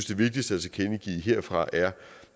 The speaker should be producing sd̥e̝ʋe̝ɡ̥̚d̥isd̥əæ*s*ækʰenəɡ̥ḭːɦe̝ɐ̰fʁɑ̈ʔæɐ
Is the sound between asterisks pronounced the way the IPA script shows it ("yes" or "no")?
yes